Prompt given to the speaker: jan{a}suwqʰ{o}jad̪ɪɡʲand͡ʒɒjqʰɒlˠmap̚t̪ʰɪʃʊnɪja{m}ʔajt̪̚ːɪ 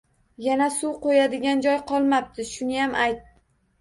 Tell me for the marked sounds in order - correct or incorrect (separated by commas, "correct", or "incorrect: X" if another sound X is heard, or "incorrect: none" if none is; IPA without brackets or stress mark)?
correct, correct, correct